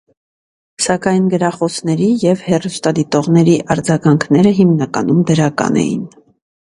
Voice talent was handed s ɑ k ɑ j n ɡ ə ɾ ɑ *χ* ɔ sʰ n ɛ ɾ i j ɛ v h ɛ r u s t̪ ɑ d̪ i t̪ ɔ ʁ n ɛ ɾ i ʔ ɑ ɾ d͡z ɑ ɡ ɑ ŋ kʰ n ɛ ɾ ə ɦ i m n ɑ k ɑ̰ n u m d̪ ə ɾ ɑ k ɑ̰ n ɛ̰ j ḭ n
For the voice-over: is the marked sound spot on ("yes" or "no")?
yes